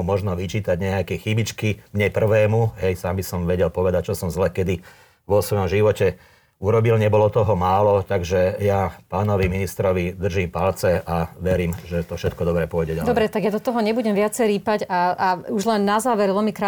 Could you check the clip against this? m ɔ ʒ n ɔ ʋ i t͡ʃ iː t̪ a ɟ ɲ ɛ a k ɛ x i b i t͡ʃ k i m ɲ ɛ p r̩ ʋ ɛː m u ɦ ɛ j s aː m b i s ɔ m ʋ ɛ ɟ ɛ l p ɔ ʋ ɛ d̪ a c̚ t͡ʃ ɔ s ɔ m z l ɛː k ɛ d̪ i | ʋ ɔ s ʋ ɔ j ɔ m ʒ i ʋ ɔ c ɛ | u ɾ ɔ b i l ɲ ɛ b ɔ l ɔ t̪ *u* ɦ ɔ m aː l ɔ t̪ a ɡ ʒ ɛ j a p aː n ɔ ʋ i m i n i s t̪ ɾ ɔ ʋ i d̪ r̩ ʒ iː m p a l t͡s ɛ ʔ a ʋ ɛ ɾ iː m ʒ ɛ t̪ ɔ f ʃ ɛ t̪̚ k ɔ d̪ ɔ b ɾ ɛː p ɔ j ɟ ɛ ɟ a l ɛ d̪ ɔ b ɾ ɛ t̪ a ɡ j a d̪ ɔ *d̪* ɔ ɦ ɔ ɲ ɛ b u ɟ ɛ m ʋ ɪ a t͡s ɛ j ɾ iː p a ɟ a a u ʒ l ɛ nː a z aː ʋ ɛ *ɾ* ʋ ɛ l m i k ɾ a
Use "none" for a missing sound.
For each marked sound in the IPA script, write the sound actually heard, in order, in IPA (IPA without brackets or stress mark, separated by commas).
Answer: ɔ, t̪, ɾ